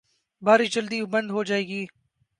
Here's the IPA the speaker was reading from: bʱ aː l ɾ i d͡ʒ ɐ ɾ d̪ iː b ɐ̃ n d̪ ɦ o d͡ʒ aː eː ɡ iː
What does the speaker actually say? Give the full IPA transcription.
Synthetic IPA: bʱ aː ɾ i d͡ʒ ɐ l d̪ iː b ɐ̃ n d̪ ɦ o d͡ʒ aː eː ɡ iː